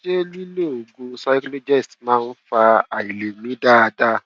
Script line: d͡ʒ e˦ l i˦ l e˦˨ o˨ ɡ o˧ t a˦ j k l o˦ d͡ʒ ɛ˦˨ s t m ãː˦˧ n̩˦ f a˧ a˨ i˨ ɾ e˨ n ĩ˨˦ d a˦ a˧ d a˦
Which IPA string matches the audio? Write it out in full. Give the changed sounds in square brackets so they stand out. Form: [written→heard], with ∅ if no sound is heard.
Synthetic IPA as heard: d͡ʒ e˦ l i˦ l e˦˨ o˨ ɡ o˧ [t→s] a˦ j k l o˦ d͡ʒ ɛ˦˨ s t m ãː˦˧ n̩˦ f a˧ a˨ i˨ [ɾ→l] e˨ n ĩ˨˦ d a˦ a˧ d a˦